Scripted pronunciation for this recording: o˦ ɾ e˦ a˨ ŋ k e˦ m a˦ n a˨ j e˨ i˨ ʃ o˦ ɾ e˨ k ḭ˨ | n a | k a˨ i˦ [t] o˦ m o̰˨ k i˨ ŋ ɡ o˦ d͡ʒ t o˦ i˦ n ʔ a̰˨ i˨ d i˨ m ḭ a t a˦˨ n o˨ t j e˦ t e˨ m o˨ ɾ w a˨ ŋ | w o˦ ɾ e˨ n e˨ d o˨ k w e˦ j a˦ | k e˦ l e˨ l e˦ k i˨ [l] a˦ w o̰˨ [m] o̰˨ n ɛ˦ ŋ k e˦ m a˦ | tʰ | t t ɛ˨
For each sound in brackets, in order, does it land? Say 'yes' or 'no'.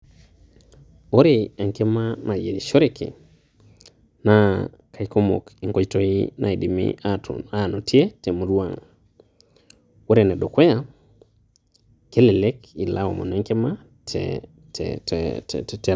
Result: no, yes, yes

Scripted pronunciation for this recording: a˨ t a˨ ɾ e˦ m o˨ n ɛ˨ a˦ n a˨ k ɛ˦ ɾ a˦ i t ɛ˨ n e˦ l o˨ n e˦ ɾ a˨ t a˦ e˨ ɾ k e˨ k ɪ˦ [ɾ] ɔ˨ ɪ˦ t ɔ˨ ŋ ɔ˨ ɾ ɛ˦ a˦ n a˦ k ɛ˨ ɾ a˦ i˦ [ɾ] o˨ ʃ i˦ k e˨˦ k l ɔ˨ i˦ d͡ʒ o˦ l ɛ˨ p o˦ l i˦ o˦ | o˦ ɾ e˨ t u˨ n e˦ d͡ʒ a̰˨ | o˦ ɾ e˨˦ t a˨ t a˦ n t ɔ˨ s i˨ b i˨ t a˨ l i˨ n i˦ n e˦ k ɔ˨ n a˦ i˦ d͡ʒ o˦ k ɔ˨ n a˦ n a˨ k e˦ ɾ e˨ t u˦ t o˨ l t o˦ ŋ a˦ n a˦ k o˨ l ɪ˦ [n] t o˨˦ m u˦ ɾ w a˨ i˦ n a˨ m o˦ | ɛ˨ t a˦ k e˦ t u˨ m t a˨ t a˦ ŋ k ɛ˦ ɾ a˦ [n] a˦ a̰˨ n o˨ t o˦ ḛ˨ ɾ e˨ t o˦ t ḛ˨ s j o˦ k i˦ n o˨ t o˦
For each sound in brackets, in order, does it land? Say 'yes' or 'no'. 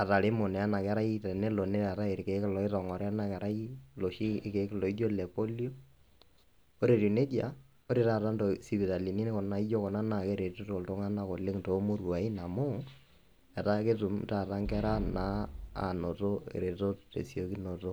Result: no, no, no, yes

